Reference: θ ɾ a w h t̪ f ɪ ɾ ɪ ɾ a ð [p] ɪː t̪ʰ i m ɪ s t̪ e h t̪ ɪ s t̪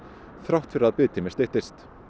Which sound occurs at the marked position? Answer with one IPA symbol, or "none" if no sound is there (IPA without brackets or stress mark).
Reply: p